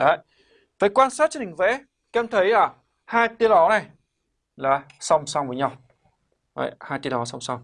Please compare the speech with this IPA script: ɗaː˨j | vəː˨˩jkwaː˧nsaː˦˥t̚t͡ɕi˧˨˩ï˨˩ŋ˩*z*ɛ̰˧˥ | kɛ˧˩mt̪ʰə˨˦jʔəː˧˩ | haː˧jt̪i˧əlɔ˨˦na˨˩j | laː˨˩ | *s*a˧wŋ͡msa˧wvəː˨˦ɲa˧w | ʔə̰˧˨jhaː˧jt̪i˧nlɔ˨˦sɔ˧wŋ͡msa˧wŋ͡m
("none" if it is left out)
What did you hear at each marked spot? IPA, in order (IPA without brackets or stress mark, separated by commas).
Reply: v, s